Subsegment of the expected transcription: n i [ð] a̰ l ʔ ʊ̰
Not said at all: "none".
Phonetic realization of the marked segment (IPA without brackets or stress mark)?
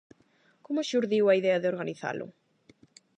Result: θ